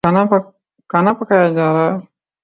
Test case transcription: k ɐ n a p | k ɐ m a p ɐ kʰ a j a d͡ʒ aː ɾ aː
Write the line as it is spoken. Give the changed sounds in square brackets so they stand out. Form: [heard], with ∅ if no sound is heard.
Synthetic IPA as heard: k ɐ n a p | k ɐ [n] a p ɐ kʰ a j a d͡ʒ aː ɾ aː